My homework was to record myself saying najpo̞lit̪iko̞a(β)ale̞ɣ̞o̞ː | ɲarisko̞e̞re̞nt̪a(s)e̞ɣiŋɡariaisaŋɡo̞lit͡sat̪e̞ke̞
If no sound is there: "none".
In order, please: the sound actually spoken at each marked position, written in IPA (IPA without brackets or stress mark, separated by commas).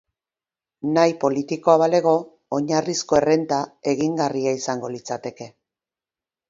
β, none